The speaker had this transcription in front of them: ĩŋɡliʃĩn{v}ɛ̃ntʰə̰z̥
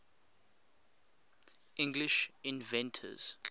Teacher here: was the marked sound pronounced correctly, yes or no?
yes